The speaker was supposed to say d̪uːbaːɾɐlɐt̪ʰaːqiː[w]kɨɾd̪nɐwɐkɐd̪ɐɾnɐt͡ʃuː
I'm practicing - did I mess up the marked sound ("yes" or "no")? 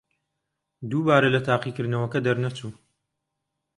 yes